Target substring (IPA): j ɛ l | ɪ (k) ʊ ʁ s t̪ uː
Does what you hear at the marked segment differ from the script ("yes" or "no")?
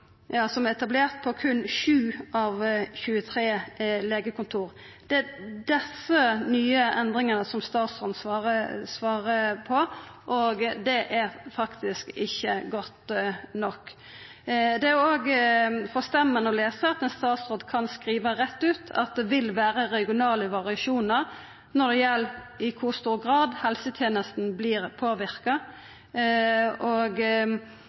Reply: yes